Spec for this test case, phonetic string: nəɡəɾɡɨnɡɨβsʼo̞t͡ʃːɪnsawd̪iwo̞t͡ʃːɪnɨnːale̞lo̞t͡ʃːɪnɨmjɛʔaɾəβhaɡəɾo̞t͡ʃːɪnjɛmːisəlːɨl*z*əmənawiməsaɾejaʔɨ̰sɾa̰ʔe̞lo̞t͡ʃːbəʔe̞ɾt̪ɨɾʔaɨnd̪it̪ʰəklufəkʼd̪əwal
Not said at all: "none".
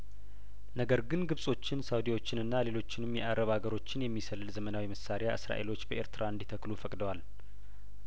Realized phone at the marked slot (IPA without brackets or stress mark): z